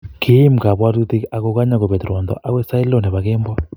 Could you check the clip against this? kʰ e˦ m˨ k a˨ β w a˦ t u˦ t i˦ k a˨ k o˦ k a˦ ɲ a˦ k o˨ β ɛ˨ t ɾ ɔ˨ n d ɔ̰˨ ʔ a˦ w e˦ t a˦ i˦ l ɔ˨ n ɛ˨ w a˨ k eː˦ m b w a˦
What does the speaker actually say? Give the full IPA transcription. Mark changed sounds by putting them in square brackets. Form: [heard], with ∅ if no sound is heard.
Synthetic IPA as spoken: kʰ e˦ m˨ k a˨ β w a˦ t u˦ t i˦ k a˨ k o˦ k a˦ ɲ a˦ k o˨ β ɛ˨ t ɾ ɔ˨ n d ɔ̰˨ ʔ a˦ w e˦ [s] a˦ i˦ l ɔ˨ n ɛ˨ [β] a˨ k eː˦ m b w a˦